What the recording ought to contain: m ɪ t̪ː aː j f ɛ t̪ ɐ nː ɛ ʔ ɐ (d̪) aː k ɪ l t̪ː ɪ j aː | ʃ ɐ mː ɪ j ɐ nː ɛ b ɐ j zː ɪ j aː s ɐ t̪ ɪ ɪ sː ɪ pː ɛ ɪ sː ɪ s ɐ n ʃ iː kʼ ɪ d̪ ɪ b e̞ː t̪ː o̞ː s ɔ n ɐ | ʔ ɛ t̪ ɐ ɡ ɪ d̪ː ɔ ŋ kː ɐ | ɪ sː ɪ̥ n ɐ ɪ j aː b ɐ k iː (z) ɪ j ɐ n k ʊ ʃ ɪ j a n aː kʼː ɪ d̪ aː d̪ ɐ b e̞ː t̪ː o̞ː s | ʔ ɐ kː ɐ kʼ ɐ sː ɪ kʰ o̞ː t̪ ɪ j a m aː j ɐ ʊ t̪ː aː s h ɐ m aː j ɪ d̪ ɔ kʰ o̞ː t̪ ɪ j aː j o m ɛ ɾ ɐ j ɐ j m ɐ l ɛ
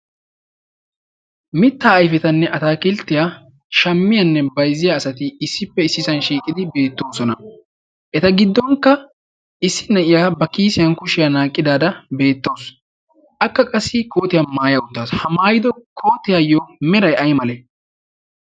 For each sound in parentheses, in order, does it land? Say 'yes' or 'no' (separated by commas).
no, no